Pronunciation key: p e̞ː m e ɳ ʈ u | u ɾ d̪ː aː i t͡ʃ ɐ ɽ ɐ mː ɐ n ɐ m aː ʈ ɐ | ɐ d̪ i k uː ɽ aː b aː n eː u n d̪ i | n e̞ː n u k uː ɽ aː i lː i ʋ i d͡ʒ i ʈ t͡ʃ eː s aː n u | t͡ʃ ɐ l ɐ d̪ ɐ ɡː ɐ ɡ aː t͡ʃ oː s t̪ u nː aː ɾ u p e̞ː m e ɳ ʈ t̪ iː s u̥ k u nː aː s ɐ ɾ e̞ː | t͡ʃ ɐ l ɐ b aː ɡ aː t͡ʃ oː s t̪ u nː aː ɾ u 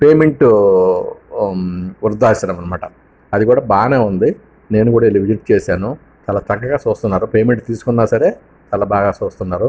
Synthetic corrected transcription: p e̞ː m e ɳ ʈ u | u ɾ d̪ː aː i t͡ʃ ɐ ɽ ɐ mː ɐ n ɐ m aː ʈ ɐ | ɐ d̪ i k uː ɽ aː b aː n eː u n d̪ i | n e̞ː n u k uː ɽ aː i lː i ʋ i d͡ʒ i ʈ t͡ʃ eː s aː n u | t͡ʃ ɐ l ɐ t̪ ɐ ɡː ɐ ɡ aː t͡ʃ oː s t̪ u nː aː ɾ u p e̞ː m e ɳ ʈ t̪ iː s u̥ k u nː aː s ɐ ɾ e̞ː | t͡ʃ ɐ l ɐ b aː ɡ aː t͡ʃ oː s t̪ u nː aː ɾ u